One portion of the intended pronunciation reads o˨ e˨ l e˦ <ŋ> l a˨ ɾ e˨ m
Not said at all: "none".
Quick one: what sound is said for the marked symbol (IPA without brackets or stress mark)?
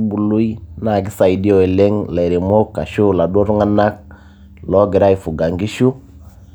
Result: ŋ